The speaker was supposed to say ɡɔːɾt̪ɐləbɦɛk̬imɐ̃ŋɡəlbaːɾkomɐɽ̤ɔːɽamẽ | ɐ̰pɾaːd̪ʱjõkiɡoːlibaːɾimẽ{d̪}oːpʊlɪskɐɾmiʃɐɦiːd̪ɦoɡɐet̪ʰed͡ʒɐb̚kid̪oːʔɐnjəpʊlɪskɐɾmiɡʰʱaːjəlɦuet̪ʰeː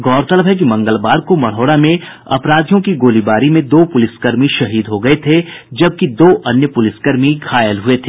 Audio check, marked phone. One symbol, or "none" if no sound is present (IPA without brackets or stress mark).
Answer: d̪